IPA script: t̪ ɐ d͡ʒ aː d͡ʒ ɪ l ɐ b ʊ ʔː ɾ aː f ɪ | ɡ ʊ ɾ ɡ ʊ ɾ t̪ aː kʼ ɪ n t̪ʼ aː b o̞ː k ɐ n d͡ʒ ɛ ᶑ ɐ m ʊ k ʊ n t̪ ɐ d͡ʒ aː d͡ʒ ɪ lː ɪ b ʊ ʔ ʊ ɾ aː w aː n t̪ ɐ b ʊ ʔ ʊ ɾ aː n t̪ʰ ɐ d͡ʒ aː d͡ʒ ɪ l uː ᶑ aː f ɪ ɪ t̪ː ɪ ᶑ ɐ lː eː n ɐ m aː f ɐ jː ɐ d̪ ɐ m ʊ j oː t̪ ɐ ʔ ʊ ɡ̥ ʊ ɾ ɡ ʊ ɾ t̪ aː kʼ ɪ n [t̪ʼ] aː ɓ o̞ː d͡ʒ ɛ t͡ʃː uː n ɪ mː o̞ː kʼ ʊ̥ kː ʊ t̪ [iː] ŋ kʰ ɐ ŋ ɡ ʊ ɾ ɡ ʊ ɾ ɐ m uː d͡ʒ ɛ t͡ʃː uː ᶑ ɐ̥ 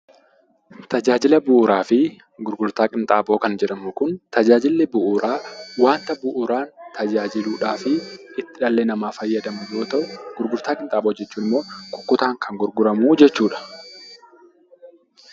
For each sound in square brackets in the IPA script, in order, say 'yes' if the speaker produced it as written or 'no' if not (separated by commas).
yes, no